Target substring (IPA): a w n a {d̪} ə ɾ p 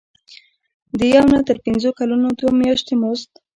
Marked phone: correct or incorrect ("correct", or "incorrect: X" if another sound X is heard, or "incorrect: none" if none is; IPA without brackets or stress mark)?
incorrect: t̪